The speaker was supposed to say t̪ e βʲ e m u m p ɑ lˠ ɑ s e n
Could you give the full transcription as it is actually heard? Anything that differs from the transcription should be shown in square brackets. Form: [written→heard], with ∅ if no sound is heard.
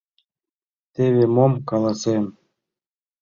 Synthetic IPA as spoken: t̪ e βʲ e m [u→o] m [p→k] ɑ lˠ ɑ s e [n→m]